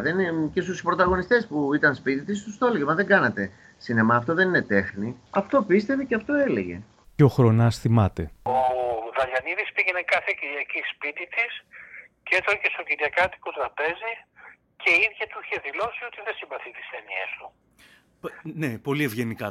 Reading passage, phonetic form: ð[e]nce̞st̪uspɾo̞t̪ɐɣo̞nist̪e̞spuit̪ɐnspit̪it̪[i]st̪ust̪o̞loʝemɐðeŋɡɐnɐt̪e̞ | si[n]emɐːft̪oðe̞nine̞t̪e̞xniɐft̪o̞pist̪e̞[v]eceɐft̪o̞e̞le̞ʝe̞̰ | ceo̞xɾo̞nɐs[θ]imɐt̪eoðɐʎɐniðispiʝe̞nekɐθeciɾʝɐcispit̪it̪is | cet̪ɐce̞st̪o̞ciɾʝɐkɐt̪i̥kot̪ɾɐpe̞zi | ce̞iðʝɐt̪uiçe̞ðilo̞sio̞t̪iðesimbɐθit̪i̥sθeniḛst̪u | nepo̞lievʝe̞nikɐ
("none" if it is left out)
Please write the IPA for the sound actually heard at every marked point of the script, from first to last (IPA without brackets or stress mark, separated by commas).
e, i, n, v, θ